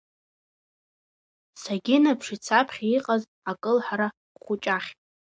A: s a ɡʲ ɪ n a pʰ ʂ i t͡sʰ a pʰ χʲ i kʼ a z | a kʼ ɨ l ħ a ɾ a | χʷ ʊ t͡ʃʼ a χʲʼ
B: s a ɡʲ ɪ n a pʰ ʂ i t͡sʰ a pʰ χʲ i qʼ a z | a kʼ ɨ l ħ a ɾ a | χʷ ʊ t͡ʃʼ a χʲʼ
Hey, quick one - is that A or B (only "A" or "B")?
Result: B